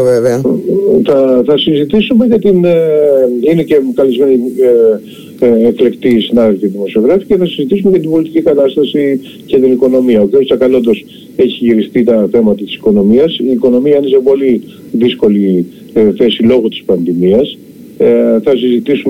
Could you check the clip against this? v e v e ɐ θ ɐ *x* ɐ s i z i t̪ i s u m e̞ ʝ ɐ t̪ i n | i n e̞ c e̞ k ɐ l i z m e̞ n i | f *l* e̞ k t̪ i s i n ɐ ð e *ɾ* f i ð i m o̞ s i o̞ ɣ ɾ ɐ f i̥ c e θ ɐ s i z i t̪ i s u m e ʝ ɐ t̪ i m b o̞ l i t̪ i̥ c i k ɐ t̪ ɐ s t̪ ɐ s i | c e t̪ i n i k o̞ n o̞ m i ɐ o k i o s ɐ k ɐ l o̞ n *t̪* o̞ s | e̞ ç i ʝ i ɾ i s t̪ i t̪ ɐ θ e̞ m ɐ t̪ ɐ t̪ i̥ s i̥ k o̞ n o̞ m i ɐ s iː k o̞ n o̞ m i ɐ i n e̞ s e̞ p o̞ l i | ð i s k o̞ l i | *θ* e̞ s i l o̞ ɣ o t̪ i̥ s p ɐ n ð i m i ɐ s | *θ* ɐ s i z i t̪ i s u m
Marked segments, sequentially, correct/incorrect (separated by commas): incorrect, correct, incorrect, incorrect, correct, correct